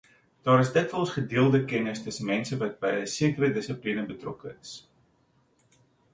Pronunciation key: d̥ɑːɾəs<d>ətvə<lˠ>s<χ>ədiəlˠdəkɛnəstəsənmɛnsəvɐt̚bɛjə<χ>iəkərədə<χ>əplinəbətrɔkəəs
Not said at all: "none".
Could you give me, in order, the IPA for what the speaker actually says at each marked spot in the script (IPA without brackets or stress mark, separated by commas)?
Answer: d, lˠ, χ, s, s